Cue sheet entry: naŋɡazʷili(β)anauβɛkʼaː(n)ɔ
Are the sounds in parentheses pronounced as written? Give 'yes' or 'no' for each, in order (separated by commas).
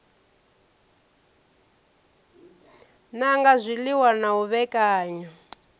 no, no